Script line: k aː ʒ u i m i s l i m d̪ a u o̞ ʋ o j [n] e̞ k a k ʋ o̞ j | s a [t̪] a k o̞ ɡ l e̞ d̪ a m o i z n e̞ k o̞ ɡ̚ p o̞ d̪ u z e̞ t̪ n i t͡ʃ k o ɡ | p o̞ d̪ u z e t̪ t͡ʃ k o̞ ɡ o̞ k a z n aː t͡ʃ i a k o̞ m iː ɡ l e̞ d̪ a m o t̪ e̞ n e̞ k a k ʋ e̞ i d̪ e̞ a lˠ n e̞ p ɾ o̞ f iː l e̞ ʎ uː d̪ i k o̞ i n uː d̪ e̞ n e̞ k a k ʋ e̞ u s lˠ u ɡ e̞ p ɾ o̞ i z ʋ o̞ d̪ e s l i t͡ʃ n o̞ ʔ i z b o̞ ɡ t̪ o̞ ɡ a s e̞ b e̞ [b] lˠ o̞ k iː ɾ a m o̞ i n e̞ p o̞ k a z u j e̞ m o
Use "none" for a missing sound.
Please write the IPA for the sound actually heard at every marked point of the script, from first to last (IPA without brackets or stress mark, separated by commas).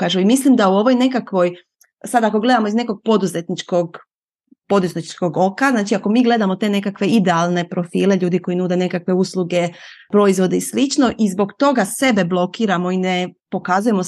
n, d̪, b